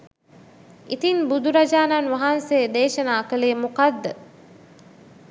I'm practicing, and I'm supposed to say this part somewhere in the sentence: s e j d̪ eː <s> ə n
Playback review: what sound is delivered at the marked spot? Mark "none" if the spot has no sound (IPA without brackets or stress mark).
ʃ